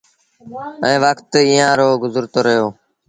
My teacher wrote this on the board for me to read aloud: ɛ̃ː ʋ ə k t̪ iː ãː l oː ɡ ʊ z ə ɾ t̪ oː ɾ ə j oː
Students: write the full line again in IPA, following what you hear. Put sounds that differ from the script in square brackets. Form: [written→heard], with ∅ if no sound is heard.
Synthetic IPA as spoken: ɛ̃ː ʋ ə k t̪ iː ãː [l→ɾ] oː ɡ ʊ z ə ɾ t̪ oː ɾ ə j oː